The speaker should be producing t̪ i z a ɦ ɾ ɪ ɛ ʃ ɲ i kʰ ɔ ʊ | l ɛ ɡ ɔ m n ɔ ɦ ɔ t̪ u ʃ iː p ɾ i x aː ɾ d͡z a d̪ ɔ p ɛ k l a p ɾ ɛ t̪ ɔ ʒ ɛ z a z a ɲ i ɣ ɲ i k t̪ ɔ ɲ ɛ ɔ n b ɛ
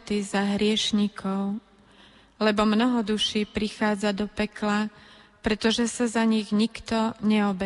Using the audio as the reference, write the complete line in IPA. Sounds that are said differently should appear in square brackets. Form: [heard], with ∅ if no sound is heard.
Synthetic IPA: t̪ i z a ɦ ɾ ɪ ɛ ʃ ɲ i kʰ ɔ ʊ | l ɛ [b] ɔ m n ɔ ɦ ɔ [d̪] u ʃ iː p ɾ i x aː [∅] d͡z a d̪ ɔ p ɛ k l a p ɾ ɛ t̪ ɔ ʒ ɛ [s] a z a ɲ i ɣ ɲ i k t̪ ɔ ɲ ɛ ɔ [∅] b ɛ